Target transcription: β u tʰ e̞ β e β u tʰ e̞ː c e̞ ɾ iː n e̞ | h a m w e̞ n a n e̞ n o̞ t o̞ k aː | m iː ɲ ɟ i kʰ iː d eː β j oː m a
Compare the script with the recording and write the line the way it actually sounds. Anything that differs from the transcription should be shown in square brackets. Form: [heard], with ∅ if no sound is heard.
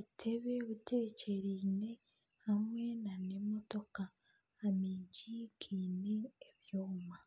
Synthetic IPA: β u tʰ e̞ β e β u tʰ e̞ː c e̞ ɾ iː n e̞ | h a m w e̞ n a n e̞ [m] o̞ t o̞ k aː | m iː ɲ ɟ i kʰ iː [n] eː β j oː m a